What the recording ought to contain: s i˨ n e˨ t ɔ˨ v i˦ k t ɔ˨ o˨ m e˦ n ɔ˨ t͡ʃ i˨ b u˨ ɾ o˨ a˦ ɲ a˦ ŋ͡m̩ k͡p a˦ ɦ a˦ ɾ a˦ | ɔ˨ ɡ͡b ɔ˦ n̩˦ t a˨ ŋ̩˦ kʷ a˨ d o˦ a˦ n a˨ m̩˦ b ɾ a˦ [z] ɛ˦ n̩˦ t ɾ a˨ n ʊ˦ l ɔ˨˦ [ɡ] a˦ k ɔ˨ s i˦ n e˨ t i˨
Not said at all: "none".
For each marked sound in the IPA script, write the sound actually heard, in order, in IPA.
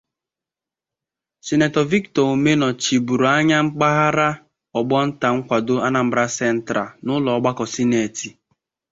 s, ɡ͡b

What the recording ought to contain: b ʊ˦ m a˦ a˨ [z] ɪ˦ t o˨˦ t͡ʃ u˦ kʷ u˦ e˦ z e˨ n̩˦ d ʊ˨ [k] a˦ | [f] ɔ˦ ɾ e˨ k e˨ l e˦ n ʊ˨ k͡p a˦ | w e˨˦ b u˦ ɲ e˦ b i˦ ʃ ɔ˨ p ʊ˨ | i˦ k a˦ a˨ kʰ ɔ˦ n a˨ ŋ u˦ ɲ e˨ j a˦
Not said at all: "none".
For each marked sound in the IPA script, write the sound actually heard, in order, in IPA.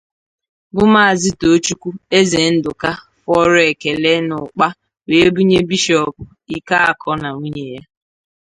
z, k, f

